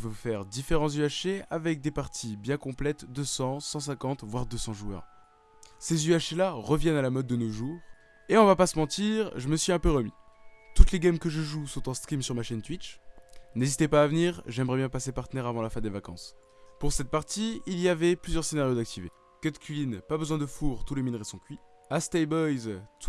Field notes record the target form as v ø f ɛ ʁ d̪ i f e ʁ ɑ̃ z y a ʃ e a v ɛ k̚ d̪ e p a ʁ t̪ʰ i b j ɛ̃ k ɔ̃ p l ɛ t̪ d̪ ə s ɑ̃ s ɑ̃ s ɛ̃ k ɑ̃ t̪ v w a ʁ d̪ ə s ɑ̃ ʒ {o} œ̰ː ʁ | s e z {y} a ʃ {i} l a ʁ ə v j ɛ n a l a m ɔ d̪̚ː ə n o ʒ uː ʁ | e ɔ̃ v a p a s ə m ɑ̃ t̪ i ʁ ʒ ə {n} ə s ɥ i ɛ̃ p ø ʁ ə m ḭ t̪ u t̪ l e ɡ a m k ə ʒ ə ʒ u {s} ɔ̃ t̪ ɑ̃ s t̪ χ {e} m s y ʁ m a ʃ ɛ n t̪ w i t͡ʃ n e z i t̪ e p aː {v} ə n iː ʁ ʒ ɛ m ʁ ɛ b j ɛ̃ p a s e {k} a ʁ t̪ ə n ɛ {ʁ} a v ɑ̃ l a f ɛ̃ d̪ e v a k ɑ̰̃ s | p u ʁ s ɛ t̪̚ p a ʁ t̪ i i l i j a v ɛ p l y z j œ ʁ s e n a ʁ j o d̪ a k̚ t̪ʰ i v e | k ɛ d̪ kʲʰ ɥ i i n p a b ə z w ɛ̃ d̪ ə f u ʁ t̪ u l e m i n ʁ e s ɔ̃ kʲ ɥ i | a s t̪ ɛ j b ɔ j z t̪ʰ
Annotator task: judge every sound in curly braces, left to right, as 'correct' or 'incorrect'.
incorrect: u, correct, incorrect: e, incorrect: m, correct, incorrect: i, correct, incorrect: p, correct

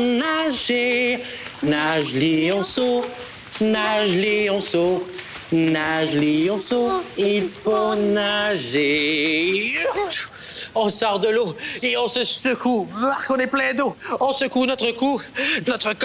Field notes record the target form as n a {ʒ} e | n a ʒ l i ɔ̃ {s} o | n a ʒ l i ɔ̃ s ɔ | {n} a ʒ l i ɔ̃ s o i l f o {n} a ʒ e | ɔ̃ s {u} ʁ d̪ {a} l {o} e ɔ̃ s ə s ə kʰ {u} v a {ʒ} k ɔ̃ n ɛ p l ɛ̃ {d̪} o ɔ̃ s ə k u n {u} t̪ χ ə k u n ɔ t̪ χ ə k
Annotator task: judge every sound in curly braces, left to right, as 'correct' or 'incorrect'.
correct, correct, correct, correct, incorrect: ɔ, incorrect: ə, correct, correct, incorrect: ʁ, correct, incorrect: ɔ

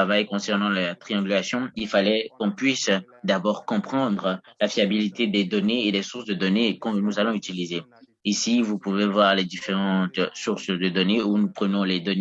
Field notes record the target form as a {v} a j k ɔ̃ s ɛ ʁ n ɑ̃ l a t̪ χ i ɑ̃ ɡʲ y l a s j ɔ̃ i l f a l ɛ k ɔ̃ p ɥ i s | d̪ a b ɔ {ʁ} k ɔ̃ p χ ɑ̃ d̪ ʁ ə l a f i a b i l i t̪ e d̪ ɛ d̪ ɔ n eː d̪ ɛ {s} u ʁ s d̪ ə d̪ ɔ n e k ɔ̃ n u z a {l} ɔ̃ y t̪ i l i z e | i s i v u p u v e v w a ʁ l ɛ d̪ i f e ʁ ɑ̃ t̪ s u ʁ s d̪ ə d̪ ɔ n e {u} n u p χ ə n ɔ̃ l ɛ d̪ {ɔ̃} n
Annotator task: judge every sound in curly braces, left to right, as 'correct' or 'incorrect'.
correct, correct, correct, correct, correct, incorrect: ɔ

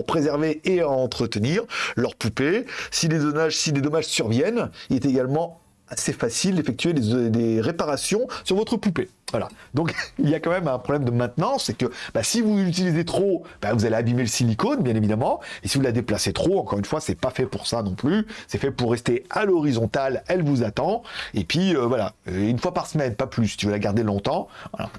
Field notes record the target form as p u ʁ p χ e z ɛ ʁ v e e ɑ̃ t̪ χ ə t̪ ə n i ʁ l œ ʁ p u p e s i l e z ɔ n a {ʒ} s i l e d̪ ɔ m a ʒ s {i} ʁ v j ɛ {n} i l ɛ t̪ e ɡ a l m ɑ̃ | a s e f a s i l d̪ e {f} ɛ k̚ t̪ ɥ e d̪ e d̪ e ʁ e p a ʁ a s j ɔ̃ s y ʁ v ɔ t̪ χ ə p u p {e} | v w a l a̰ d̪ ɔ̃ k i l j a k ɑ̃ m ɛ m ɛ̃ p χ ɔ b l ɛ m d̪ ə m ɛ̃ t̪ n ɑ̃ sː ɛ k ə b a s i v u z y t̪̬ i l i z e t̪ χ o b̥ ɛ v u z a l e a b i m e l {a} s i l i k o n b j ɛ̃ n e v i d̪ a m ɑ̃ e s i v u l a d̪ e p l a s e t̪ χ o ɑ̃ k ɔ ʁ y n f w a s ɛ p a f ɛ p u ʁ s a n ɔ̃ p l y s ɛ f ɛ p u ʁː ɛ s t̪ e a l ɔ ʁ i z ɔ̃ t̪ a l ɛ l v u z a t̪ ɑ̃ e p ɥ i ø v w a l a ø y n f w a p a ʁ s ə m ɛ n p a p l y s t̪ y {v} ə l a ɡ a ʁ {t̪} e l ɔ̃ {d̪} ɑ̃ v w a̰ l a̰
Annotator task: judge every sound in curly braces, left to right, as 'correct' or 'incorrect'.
correct, incorrect: y, correct, correct, correct, incorrect: ə, correct, incorrect: d̪, incorrect: t̪

